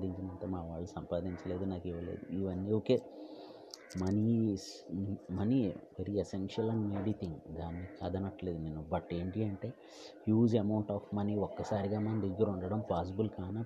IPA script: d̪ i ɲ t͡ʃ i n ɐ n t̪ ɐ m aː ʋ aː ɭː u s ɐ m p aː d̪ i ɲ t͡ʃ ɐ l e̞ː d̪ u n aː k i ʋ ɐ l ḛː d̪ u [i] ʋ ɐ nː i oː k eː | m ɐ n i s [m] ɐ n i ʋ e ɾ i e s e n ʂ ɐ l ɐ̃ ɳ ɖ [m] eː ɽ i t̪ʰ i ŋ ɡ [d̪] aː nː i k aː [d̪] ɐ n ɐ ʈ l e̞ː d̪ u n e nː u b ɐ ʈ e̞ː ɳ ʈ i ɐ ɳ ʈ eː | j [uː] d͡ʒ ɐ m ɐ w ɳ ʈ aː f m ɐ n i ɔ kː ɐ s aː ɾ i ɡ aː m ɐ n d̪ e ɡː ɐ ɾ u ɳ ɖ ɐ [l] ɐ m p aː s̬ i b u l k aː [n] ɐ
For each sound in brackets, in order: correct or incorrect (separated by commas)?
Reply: correct, correct, correct, correct, correct, correct, incorrect, correct